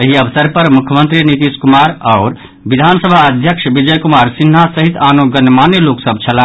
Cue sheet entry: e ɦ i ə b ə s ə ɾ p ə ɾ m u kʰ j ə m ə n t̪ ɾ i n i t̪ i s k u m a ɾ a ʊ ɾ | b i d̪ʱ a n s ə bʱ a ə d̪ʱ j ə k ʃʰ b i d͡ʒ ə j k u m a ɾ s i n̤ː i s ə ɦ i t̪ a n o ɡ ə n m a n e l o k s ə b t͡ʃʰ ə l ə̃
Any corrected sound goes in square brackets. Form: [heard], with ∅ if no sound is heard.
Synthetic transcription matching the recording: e ɦ i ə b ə s ə ɾ p ə ɾ m u kʰ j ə m ə n t̪ ɾ i n i t̪ i s k u m a ɾ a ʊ ɾ | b i d̪ʱ a n s ə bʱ a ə d̪ʱ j ə k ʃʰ b i d͡ʒ ə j k u m a ɾ s i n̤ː [a] s ə ɦ i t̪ a n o ɡ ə n m a n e l o k s ə b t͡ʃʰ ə l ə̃